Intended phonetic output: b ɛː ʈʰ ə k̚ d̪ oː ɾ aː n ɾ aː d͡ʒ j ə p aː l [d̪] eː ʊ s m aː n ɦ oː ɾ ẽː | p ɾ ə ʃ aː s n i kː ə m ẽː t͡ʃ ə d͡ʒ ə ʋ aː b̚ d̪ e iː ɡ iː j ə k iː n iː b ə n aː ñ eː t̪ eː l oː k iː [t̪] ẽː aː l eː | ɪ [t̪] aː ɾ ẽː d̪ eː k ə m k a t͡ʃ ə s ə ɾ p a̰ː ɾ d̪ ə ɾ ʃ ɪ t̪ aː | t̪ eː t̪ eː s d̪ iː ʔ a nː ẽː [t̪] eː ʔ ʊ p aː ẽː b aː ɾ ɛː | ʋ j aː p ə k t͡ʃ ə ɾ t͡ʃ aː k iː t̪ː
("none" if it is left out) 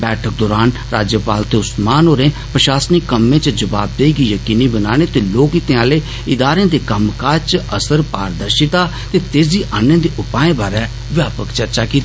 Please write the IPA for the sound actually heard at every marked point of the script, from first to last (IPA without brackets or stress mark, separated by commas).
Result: t̪, t̪, d̪, d̪